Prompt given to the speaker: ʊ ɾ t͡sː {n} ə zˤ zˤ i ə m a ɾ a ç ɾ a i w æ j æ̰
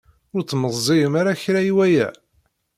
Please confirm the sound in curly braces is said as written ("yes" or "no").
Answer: no